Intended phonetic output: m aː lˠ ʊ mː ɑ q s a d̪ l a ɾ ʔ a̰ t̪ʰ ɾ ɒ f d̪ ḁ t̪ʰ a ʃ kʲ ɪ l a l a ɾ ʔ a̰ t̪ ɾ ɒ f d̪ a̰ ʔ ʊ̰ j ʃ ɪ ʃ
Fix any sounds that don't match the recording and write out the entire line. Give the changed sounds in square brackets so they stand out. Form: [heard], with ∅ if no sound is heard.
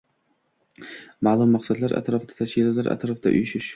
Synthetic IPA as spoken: m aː lˠ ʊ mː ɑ q s a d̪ l a ɾ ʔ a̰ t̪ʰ ɾ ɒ f d̪ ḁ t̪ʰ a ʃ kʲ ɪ l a l a ɾ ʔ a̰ t̪ ɾ ɒ f d̪ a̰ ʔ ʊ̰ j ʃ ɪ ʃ